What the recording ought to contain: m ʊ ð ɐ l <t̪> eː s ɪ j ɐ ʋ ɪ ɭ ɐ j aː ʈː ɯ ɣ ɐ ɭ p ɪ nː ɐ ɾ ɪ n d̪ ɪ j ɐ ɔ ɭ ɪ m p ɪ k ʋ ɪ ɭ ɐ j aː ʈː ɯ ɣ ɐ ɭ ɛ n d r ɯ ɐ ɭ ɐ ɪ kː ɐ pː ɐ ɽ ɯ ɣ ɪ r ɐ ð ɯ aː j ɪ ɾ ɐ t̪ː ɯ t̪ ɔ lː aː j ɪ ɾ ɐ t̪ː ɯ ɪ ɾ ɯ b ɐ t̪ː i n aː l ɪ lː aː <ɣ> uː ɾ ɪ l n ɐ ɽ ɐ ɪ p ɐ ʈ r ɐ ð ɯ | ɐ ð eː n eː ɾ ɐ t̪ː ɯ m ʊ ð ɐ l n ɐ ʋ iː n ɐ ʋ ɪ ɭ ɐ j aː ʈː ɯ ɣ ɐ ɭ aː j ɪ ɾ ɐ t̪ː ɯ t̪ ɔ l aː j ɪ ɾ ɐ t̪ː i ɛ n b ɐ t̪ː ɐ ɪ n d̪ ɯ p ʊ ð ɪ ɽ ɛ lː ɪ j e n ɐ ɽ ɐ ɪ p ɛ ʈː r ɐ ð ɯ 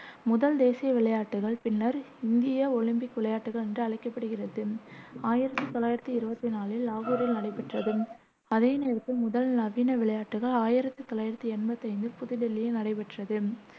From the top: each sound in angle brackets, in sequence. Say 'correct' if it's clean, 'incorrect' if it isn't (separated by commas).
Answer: incorrect, correct